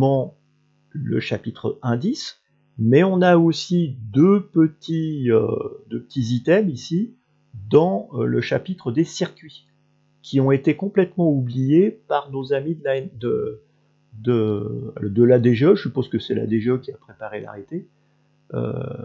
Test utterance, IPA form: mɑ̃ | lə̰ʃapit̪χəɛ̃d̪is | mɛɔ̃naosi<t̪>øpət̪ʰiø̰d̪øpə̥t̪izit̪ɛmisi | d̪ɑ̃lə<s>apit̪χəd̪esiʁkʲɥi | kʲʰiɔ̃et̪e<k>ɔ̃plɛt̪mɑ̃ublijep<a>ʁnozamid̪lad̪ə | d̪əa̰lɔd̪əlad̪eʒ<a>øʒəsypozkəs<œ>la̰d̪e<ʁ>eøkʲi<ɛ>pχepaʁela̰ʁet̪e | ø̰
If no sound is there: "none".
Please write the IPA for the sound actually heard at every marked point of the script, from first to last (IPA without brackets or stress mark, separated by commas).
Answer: d̪, ʃ, k, a, e, ɛ, ʒ, a